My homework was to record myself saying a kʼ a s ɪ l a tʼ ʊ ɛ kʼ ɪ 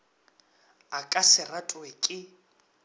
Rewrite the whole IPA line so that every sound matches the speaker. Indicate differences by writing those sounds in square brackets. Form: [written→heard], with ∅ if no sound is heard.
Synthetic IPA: a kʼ a s ɪ [l→r] a tʼ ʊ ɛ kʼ ɪ